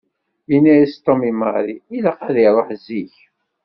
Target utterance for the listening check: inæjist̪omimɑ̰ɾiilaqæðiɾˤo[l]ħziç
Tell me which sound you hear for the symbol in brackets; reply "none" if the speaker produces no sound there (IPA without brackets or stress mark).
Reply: none